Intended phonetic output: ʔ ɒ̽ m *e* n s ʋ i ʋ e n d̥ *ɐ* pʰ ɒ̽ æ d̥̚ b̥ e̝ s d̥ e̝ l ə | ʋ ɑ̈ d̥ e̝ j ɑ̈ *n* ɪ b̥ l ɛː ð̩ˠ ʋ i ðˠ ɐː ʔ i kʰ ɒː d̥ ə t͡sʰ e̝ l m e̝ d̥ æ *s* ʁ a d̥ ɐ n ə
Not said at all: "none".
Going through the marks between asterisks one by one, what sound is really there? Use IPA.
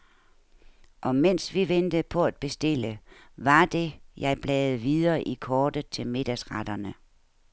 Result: e, ə, none, s

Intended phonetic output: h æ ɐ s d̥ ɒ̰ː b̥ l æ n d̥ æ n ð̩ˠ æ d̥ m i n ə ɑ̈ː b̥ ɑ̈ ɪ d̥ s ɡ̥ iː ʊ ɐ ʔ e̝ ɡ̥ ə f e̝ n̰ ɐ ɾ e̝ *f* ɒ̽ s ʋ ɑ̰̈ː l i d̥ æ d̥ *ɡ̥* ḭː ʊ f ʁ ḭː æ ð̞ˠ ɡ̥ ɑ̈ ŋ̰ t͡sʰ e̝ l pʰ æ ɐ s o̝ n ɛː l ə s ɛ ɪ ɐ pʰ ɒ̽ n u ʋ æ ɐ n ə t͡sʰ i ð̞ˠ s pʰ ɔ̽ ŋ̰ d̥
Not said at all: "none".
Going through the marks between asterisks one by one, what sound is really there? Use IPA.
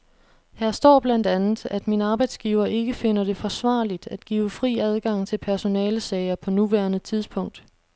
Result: f, ɡ̥

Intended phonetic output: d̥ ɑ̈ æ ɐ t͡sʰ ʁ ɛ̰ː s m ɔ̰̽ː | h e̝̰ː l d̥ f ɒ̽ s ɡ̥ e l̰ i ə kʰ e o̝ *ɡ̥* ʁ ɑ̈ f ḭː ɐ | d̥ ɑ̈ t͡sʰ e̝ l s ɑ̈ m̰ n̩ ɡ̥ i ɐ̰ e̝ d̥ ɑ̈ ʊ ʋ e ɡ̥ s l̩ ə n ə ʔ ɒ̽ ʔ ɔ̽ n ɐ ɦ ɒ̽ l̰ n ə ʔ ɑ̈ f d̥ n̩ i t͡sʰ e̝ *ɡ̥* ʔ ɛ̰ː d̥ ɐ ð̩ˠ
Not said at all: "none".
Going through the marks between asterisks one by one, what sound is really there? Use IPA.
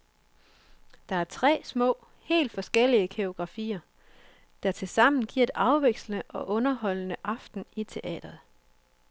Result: ɡ̥, none

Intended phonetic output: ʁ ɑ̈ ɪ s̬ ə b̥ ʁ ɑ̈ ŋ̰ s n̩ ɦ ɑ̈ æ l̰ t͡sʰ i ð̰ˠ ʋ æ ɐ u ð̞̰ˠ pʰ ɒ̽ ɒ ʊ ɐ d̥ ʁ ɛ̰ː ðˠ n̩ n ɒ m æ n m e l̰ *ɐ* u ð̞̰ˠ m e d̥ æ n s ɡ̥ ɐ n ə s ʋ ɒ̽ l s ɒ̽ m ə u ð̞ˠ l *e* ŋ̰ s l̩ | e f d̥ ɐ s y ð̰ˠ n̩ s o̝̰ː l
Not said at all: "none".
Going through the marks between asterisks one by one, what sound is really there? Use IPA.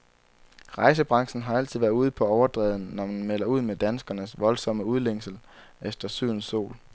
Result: ɐ, e

